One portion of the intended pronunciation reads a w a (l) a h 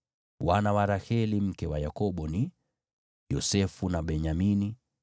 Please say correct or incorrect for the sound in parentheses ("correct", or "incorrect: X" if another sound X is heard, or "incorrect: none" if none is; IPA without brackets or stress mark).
incorrect: ɾ